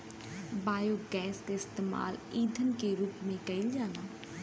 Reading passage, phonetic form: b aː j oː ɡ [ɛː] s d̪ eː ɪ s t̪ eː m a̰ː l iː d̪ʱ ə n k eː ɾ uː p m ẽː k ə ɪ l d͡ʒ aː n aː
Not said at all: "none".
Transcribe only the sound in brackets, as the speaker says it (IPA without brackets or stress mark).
ɛː